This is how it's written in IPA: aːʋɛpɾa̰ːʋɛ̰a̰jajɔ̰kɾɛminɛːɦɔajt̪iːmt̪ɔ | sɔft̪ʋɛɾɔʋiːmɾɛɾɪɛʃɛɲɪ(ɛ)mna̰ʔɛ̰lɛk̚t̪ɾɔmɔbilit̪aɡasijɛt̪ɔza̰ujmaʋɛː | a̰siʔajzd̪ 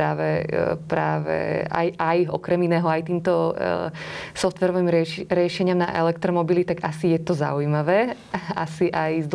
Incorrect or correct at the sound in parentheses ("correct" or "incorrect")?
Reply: incorrect